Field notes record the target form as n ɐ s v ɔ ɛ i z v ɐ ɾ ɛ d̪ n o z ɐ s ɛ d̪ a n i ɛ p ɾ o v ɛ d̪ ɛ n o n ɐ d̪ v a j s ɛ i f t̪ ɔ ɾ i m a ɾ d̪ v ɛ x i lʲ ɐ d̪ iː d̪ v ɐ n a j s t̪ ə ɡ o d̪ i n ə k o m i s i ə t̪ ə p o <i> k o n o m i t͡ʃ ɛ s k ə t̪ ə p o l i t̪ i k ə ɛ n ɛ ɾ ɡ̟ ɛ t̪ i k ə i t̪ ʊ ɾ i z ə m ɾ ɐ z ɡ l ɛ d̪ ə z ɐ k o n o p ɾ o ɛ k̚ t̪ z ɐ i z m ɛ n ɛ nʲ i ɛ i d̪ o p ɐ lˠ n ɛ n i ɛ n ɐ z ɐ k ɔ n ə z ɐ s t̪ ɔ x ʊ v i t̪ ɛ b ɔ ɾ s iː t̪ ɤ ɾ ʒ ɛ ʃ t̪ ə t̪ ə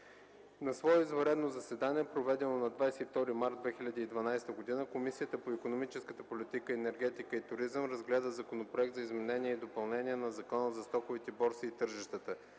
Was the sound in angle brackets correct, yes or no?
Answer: yes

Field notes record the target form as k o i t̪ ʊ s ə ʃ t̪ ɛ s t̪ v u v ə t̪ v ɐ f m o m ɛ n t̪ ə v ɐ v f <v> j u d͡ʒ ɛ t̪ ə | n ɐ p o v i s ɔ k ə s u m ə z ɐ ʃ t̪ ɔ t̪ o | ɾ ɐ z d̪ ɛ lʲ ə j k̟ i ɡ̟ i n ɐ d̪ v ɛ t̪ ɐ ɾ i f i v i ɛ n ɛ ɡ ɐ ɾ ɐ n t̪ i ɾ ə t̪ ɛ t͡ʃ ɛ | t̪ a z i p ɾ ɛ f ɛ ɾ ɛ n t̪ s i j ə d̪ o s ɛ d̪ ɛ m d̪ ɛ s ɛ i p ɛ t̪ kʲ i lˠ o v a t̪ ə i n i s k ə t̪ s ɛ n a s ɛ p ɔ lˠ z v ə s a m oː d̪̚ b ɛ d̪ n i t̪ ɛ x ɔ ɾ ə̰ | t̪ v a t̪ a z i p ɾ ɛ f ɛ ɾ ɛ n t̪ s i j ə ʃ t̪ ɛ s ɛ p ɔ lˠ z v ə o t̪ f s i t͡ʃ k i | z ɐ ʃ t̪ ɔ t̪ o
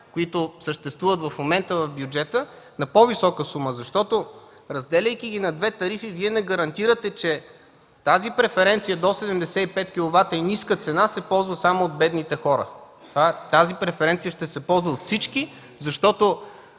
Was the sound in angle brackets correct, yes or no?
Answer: no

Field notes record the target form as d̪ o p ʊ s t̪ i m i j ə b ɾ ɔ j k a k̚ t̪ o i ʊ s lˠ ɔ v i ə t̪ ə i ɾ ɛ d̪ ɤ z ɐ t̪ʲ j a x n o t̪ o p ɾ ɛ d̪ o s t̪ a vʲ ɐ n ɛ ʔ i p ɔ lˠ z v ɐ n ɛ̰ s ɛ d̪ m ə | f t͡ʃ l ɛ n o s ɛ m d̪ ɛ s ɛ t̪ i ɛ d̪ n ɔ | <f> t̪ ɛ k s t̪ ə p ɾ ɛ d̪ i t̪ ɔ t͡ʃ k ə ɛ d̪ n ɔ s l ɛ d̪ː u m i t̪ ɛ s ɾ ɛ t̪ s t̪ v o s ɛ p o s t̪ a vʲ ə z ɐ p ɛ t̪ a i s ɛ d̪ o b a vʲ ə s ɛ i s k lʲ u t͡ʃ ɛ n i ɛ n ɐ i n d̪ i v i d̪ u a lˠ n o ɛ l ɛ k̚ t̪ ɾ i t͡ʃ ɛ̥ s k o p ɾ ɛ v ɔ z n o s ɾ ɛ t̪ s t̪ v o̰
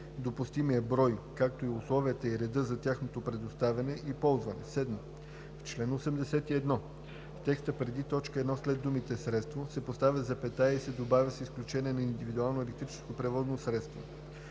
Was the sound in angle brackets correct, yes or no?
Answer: yes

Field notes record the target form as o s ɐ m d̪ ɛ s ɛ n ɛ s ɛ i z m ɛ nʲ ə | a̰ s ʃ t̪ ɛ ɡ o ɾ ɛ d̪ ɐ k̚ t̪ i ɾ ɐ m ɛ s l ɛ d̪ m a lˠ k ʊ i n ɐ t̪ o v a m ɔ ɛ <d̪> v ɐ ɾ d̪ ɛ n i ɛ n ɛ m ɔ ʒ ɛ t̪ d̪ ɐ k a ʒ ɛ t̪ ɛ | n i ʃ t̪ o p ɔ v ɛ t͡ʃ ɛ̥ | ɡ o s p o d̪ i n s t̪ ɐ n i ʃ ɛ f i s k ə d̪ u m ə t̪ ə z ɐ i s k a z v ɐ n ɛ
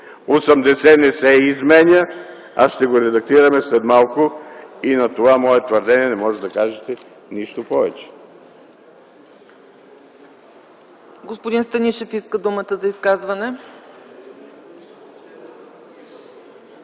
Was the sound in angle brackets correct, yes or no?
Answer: no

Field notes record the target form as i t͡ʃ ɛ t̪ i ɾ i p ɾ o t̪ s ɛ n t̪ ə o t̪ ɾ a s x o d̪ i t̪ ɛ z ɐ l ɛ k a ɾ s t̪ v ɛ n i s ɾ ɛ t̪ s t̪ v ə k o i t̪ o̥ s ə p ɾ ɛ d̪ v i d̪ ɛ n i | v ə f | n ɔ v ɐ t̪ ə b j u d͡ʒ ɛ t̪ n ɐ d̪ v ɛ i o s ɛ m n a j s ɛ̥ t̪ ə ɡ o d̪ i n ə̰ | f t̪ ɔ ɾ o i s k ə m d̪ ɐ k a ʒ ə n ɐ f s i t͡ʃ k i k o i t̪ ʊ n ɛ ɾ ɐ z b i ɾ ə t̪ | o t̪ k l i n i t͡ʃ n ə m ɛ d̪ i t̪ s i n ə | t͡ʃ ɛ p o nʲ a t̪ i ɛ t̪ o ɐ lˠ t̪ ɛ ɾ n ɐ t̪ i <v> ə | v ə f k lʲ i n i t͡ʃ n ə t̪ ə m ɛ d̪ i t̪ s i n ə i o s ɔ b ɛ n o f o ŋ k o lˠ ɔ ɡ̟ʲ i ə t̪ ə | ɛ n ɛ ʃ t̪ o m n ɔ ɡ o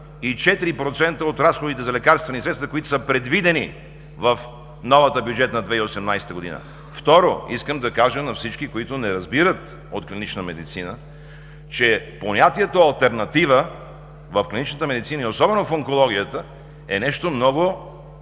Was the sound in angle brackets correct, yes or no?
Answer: yes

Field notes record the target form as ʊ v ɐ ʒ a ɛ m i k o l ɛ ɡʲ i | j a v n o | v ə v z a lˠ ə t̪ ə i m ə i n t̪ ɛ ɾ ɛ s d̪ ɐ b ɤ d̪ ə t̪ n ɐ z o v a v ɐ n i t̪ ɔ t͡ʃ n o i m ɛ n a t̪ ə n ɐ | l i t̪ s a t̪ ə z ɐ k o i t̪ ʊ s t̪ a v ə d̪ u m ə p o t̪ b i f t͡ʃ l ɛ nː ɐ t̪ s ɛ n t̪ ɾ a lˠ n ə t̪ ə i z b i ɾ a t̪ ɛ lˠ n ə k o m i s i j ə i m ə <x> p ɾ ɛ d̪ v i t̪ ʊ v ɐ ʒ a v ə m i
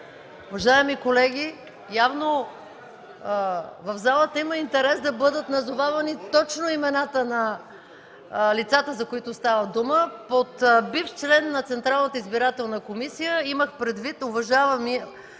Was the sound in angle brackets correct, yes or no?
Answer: yes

